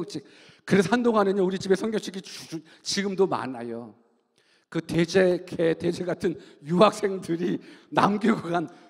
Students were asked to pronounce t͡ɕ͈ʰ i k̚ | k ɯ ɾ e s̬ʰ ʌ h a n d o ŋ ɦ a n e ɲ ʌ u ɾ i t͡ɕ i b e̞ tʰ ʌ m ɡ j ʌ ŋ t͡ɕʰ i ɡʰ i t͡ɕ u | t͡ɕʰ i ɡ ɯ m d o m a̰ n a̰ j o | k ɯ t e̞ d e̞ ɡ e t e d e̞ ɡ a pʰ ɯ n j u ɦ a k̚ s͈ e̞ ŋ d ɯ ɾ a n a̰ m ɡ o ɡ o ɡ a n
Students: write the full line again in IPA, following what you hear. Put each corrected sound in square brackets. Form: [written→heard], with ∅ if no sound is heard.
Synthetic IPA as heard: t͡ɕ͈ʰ i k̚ | k ɯ ɾ e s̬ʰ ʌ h a n d o ŋ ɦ a n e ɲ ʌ u ɾ i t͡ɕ i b e̞ [tʰ→sʰ] ʌ [m→ŋ] ɡ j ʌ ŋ t͡ɕʰ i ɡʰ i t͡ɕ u | [t͡ɕʰ→t͡ɕ] i ɡ ɯ m d o m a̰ n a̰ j o | k ɯ t e̞ [d→d͡ʑ] e̞ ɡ e t e [d→d͡ʑ] e̞ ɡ a [pʰ→tʰ] ɯ n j u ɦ a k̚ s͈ e̞ ŋ d ɯ ɾ [a→i] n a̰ m ɡ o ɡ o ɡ a n

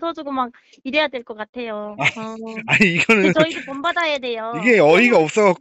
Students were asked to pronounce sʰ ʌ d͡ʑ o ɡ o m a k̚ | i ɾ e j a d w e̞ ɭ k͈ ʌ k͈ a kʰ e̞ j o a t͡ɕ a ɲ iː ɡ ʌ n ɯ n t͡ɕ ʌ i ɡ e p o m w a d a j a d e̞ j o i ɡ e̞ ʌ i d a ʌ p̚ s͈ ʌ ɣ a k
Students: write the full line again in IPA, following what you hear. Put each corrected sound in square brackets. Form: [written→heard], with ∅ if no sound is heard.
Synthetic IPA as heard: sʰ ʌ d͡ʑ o ɡ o m a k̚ | i ɾ e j a d w e̞ ɭ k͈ ʌ k͈ a [kʰ→tʰ] e̞ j o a [t͡ɕ→∅] a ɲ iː ɡ ʌ n ɯ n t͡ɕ ʌ i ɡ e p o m [w→b] a d a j a d e̞ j o i ɡ e̞ ʌ i [d→ɡ] a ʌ p̚ s͈ ʌ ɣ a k

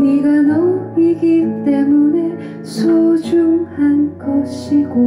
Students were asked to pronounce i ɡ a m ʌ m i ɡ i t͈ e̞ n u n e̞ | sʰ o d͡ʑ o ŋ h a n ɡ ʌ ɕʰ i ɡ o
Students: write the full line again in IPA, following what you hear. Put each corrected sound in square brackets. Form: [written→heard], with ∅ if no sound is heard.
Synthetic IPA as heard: i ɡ a [m→n] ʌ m i ɡ i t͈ e̞ [n→m] u n e̞ | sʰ o d͡ʑ [o→u] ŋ h a n ɡ ʌ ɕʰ i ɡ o

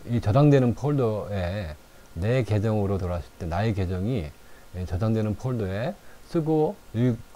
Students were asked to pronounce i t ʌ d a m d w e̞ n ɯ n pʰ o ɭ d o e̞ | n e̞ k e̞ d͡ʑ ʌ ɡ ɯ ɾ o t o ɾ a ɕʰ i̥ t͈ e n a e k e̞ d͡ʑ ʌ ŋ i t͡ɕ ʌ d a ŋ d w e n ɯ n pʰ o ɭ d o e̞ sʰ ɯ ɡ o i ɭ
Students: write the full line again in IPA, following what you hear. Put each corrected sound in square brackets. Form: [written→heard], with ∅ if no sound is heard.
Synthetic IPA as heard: i [t→t͡ɕ] ʌ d a [m→ŋ] d w e̞ n ɯ n pʰ o ɭ d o e̞ | n e̞ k e̞ d͡ʑ ʌ [ɡ→ŋ] ɯ ɾ o t o ɾ a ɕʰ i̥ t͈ e n a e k e̞ d͡ʑ ʌ ŋ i t͡ɕ ʌ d a ŋ d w e n ɯ n pʰ o ɭ d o e̞ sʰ ɯ ɡ o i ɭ

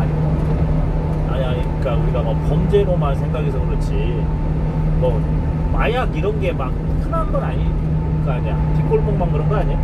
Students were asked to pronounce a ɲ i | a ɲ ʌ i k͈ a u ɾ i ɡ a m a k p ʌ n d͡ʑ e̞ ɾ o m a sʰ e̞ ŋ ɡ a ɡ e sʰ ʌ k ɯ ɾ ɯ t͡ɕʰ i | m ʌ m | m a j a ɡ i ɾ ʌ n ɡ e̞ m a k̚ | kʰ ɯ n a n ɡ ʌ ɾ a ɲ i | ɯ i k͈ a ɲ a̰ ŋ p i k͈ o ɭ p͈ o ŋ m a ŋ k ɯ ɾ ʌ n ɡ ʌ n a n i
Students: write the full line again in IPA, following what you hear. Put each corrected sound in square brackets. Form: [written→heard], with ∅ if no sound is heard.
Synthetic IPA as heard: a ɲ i | a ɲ [ʌ→a] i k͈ a u ɾ i ɡ a m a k p ʌ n d͡ʑ e̞ ɾ o m a sʰ e̞ ŋ ɡ a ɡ e sʰ ʌ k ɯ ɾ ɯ t͡ɕʰ i | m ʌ [m→∅] | m a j a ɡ i ɾ ʌ n ɡ e̞ m a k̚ | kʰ ɯ n a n ɡ ʌ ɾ a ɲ i | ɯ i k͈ a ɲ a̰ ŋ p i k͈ o ɭ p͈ o ŋ m a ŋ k ɯ ɾ ʌ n ɡ ʌ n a [n→ɲ] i

